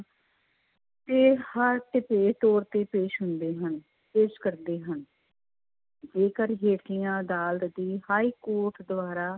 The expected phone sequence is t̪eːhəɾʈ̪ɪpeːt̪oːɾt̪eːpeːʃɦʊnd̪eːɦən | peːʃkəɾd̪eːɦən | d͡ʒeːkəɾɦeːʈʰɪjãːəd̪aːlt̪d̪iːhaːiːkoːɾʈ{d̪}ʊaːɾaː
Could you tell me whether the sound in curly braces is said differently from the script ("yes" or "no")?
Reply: no